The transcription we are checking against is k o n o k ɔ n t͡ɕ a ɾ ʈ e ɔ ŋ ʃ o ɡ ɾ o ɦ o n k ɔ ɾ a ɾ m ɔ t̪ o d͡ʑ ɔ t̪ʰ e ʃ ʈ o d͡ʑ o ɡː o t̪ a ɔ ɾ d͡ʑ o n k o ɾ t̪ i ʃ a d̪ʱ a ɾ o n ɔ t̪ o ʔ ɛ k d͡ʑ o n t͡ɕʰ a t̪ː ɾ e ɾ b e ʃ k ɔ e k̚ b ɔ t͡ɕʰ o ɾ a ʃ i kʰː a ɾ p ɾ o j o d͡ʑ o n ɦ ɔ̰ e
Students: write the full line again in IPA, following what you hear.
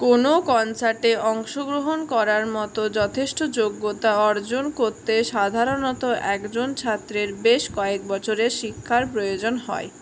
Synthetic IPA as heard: k o n o k ɔ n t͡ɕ a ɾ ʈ e ɔ ŋ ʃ o ɡ ɾ o ɦ o n k ɔ ɾ a ɾ m ɔ t̪ o d͡ʑ ɔ t̪ʰ e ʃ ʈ o d͡ʑ o ɡː o t̪ a ɔ ɾ d͡ʑ o n k o ɾ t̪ e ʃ a d̪ʱ a ɾ o n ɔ t̪ o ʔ ɛ k d͡ʑ o n t͡ɕʰ a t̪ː ɾ e ɾ b e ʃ k ɔ e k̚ b ɔ t͡ɕʰ o ɾ e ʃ i kʰː a ɾ p ɾ o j o d͡ʑ o n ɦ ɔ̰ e